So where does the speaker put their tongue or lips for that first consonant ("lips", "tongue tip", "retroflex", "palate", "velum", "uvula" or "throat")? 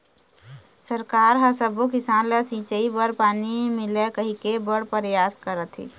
tongue tip